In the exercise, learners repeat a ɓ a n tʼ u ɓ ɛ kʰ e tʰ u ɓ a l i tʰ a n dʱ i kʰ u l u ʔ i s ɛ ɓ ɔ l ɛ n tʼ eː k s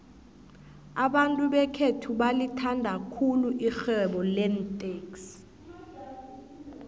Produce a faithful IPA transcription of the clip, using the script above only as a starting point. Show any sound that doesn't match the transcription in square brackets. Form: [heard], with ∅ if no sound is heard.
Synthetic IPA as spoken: a ɓ a n tʼ u ɓ ɛ kʰ e tʰ u ɓ a l i tʰ a n dʱ [a] kʰ u l u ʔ i [x] ɛ ɓ ɔ l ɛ n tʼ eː k s